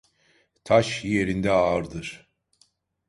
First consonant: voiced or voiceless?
voiceless